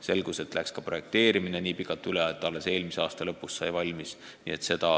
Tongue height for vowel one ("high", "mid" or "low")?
mid